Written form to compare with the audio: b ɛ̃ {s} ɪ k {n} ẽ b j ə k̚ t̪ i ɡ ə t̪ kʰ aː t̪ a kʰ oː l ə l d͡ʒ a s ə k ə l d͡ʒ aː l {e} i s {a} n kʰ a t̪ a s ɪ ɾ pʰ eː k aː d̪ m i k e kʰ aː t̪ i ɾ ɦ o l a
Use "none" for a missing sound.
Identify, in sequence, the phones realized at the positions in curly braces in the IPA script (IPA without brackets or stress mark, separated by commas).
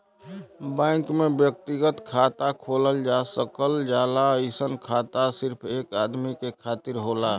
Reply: none, m, a, ə